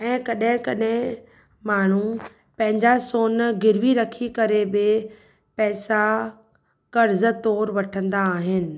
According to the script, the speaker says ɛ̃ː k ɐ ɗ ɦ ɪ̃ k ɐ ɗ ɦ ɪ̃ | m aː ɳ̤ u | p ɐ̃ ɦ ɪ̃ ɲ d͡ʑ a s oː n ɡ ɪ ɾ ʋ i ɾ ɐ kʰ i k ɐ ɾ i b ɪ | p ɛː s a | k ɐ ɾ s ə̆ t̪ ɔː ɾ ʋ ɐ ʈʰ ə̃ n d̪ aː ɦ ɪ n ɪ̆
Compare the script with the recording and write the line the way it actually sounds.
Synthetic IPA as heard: ɛ̃ː k ɐ ɗ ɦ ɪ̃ k ɐ ɗ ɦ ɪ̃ | m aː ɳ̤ u | p ɐ̃ ɦ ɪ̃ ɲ d͡ʑ a s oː n ɡ ɪ ɾ ʋ i ɾ ɐ kʰ i k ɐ ɾ e b ɪ | p ɛː s a | k ɐ ɾ z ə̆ t̪ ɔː ɾ ʋ ɐ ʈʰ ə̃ n d̪ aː ɦ ɪ n ɪ̆